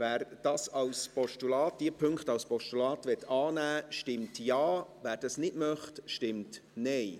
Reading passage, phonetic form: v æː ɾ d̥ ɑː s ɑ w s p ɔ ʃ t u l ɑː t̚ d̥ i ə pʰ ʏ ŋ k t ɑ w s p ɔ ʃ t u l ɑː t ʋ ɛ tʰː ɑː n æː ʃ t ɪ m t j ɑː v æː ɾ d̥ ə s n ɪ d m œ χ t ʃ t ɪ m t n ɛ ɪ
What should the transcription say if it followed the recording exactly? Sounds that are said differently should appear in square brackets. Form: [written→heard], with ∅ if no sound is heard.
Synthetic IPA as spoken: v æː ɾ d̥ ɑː s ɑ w s p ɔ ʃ t u l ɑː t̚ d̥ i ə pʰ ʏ ŋ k t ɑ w s p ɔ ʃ t u l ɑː t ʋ ɛ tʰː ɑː n æː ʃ t ɪ m t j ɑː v æː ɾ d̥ [ə→ɑ] s n ɪ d m œ χ t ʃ t ɪ m t n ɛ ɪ